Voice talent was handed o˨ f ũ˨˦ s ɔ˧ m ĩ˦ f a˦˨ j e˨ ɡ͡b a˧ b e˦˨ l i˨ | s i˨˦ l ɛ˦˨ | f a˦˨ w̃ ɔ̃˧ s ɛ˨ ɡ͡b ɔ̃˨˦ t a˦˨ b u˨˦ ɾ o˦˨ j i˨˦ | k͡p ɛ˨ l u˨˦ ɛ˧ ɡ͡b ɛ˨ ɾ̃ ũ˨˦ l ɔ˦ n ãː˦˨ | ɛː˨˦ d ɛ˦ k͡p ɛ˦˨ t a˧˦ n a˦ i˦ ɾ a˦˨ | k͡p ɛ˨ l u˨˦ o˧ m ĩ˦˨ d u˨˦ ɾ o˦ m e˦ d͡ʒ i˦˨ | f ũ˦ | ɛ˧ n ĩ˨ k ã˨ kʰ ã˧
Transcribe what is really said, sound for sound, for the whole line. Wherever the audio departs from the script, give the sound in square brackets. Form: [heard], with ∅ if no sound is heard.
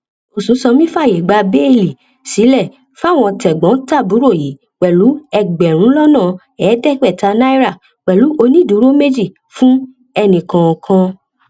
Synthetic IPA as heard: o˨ [s] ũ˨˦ s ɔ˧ m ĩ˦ f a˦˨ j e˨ ɡ͡b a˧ b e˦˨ l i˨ | s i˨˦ l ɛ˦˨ | f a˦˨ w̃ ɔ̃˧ [t] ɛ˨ ɡ͡b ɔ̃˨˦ t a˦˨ b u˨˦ ɾ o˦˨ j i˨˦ | k͡p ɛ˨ l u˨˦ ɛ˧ ɡ͡b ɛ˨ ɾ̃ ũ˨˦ l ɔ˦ n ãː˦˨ | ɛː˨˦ d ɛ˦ k͡p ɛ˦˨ t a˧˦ n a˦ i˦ ɾ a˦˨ | k͡p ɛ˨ l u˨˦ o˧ [n] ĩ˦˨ d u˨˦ ɾ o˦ m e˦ d͡ʒ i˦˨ | f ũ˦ | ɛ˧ n ĩ˨ k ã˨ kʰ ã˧